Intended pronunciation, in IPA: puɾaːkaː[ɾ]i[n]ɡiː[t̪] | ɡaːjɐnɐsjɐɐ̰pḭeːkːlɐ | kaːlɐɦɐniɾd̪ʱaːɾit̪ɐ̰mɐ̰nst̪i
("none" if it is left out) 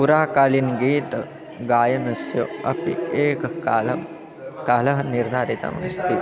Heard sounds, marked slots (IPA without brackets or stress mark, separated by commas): l, n, t̪